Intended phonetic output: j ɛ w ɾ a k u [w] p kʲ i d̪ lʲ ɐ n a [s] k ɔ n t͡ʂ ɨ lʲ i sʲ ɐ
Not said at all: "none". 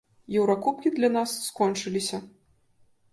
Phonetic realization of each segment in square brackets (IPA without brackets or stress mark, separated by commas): none, sː